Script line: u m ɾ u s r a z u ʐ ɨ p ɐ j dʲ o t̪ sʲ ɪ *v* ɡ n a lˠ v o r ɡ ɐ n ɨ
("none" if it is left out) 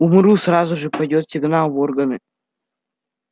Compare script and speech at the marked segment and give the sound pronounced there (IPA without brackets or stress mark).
none